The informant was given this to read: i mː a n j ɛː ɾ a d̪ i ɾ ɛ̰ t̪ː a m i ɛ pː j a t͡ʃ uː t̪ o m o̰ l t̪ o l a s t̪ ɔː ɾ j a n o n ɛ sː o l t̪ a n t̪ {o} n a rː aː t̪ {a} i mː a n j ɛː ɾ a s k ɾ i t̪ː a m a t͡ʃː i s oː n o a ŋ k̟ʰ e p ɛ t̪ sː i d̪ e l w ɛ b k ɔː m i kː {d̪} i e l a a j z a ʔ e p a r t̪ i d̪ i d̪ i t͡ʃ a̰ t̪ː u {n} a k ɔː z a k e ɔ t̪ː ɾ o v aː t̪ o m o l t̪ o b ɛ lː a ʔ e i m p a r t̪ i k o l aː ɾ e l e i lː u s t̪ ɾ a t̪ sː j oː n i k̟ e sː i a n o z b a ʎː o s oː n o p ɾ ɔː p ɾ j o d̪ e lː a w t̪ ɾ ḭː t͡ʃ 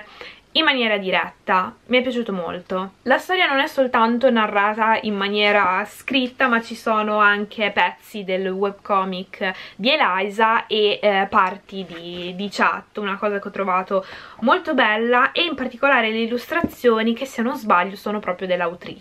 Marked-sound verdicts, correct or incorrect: correct, correct, correct, correct

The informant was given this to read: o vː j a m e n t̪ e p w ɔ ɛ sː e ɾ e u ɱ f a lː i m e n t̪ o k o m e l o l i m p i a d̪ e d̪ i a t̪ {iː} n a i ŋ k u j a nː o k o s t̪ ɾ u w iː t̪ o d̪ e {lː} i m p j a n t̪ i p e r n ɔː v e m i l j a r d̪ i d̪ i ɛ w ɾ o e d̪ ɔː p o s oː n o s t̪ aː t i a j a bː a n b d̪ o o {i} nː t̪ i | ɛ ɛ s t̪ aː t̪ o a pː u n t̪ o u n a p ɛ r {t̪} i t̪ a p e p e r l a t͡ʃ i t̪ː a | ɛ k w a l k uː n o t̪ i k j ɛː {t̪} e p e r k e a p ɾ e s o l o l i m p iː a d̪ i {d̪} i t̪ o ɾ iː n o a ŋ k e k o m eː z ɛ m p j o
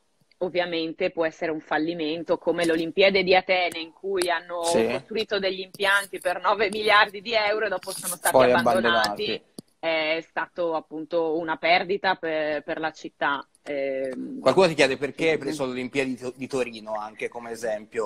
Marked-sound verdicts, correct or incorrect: incorrect, incorrect, incorrect, incorrect, incorrect, correct

